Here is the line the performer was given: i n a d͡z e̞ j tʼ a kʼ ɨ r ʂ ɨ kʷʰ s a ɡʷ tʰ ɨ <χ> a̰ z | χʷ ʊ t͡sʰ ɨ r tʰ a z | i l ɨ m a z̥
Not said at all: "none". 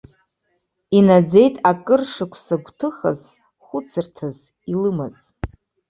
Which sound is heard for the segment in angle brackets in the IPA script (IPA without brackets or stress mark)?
χ